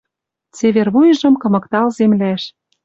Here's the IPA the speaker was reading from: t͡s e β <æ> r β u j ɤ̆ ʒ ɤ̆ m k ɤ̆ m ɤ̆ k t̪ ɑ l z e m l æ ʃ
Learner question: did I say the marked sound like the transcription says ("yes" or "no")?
no